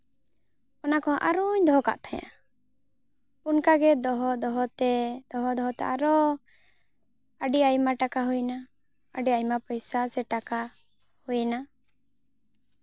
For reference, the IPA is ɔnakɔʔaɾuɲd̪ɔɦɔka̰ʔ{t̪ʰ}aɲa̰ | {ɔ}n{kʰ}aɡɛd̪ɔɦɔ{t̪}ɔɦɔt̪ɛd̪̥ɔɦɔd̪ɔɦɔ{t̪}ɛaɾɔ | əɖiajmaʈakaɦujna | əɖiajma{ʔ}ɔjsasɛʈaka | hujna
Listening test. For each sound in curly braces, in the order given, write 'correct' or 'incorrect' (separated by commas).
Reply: correct, incorrect, incorrect, incorrect, correct, incorrect